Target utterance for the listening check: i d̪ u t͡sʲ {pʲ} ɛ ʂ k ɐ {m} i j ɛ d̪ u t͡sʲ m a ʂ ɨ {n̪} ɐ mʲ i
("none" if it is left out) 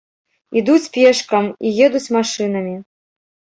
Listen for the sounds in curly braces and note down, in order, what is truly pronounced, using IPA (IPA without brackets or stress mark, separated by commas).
pʲ, m, n̪